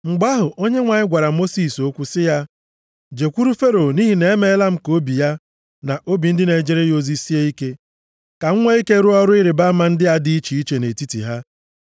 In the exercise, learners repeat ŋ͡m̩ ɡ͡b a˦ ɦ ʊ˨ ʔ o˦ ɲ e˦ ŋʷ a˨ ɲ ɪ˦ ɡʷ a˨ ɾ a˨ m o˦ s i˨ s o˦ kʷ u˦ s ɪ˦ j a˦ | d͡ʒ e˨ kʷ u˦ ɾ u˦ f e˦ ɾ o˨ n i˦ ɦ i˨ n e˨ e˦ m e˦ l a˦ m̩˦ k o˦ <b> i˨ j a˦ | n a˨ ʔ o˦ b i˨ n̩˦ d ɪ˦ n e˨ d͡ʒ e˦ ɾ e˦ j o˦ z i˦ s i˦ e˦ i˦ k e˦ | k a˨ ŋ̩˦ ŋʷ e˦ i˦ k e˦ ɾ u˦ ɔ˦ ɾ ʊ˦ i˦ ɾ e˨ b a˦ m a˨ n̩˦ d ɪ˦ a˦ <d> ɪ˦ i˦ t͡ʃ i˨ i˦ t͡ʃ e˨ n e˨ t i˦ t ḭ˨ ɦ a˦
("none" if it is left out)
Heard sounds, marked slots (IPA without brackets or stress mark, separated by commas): b, d